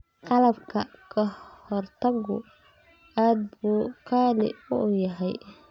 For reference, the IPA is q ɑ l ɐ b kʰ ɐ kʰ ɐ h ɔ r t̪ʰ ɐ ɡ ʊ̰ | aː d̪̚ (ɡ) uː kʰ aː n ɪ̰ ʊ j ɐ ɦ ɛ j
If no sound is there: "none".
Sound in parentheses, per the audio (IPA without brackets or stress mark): b